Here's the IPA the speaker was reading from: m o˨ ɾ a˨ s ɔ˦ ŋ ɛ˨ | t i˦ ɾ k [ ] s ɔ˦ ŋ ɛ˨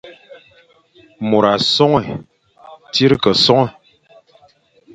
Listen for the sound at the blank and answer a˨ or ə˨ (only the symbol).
ə˨